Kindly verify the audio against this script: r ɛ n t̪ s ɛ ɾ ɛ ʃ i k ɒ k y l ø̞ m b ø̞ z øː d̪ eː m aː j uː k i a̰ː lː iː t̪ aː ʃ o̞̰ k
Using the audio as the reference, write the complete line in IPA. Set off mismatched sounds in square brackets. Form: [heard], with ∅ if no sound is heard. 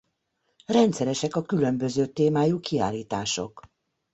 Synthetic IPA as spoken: r ɛ n t̪ s ɛ ɾ ɛ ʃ [ɛ] k ɒ k y l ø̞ m b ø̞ z øː [t̪] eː m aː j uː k i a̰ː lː iː t̪ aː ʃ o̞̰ k